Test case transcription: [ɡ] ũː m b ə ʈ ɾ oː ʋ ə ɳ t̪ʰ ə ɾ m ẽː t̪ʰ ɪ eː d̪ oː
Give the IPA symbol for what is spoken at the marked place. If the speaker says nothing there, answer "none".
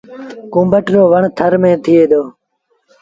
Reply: k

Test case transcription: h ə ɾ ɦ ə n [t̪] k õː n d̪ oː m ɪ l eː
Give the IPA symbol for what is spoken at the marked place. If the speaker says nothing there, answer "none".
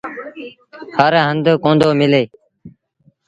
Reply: d̪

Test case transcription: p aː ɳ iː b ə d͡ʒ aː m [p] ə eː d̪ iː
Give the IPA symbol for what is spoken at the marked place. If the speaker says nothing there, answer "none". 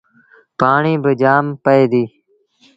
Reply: p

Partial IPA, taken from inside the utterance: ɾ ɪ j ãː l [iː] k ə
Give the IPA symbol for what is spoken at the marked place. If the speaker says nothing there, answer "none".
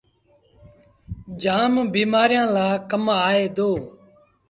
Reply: aː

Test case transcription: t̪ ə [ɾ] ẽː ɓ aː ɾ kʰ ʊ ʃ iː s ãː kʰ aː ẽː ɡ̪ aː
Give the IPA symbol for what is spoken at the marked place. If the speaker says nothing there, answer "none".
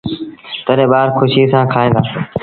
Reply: ɾ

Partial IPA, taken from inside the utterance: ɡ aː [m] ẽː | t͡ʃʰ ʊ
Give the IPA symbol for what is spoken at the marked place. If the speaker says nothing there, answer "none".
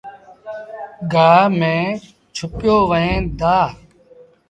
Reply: m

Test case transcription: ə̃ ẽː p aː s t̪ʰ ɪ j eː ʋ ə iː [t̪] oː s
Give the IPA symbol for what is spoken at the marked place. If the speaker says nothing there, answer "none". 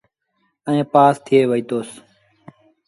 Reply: t̪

